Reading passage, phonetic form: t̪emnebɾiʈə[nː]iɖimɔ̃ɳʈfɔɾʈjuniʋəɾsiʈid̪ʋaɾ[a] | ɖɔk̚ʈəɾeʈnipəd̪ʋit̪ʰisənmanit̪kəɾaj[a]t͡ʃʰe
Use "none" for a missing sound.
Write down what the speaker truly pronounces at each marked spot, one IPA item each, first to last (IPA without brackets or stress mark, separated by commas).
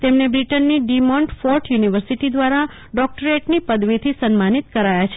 nː, a, a